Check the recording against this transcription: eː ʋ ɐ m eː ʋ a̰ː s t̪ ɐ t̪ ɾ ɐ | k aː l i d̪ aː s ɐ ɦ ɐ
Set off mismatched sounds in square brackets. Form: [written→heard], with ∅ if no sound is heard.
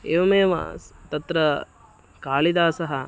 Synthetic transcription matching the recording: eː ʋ ɐ m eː ʋ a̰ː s t̪ ɐ t̪ ɾ ɐ | k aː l i d̪ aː s ɐ ɦ ɐ